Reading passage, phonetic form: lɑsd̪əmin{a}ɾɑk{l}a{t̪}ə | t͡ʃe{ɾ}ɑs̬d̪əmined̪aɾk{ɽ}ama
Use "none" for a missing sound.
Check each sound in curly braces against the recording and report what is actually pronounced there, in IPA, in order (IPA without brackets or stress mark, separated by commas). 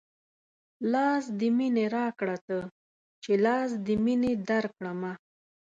e, ɽ, t̪, l, ɽ